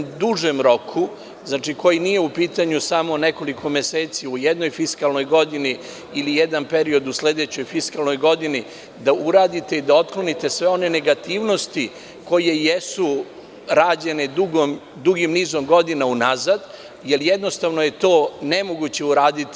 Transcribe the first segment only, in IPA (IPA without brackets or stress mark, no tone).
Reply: d̪